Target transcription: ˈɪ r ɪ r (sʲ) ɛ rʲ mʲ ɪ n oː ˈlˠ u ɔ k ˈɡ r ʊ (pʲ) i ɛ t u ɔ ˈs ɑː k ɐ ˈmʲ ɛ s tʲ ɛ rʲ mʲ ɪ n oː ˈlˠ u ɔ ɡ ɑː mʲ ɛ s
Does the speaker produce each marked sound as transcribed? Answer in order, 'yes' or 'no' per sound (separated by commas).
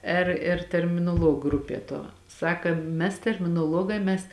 no, yes